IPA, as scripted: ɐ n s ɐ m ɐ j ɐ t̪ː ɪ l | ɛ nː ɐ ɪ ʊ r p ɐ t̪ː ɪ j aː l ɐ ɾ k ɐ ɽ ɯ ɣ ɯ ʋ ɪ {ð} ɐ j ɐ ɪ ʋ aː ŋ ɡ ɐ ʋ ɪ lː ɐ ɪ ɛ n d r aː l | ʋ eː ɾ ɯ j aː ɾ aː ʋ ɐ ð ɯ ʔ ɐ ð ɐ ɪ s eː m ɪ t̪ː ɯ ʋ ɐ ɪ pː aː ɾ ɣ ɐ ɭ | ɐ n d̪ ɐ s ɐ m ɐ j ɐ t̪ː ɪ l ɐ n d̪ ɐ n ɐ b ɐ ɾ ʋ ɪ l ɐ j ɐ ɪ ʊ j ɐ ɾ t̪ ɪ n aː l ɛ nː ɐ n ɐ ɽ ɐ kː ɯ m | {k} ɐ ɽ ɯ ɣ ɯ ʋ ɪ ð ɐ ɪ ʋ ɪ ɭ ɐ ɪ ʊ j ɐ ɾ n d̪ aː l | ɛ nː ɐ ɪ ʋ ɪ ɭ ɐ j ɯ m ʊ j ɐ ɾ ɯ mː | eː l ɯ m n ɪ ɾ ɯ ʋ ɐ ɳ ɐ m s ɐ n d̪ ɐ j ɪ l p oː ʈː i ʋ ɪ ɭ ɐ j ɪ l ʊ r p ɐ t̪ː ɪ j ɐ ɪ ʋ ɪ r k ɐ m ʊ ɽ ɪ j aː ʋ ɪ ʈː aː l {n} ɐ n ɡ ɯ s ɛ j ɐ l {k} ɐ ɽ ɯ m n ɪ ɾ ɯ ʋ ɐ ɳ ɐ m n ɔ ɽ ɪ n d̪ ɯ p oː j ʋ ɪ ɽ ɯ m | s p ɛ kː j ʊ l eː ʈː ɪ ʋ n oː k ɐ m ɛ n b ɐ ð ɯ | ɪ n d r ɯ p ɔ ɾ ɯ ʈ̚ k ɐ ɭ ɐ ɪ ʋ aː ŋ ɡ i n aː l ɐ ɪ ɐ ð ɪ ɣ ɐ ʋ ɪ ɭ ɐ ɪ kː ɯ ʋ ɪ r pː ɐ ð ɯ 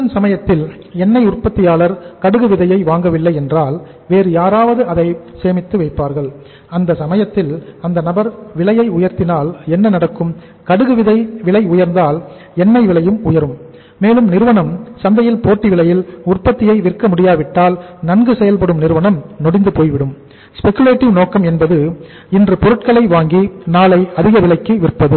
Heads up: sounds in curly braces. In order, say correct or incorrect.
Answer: correct, correct, correct, incorrect

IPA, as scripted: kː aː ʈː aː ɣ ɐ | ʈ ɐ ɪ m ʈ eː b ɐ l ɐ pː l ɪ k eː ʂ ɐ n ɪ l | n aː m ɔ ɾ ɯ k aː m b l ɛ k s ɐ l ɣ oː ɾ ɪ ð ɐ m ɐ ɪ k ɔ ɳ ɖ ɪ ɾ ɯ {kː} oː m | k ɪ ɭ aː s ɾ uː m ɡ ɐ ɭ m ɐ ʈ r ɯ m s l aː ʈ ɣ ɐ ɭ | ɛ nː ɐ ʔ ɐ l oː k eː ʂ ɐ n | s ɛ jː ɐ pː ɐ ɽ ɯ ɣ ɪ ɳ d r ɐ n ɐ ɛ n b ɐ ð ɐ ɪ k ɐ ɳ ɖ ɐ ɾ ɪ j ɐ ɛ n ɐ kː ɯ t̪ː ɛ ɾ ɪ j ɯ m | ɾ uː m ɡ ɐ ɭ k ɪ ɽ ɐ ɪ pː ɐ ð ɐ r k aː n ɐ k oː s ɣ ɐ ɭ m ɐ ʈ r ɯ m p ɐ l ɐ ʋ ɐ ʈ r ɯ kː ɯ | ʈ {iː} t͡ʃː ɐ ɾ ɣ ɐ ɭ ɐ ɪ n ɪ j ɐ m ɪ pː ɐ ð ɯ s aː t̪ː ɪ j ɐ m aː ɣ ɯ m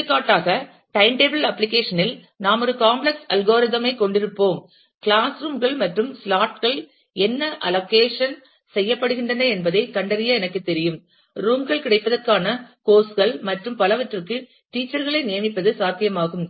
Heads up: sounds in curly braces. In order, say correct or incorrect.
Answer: incorrect, correct

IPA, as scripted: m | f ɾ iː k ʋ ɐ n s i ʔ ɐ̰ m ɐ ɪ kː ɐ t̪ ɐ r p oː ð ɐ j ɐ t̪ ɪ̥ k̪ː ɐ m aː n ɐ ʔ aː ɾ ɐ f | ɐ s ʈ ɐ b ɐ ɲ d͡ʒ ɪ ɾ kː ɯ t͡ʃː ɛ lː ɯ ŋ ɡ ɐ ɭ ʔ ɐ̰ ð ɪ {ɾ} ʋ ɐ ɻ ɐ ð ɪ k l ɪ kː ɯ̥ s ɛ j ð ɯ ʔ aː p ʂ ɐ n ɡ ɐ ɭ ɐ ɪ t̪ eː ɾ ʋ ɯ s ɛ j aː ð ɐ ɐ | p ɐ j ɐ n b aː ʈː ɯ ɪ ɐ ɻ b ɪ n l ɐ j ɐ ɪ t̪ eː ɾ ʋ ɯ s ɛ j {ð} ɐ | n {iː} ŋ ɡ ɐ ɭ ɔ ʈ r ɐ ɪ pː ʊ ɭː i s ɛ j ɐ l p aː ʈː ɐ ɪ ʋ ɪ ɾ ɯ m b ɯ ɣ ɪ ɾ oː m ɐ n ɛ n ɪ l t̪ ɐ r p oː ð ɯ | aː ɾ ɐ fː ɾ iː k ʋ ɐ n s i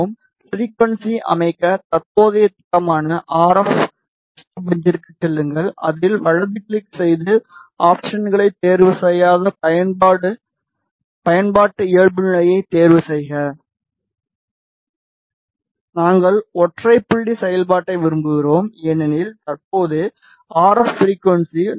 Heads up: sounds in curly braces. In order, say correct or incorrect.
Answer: incorrect, incorrect, incorrect

